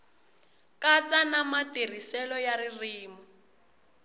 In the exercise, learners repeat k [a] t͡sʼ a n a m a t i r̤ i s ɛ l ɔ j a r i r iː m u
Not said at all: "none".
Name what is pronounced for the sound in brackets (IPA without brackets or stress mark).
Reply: a